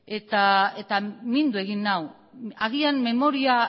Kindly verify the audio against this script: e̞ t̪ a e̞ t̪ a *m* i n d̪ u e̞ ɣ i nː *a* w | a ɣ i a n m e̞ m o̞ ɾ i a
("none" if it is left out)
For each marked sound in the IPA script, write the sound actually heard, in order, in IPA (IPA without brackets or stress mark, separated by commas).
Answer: m, a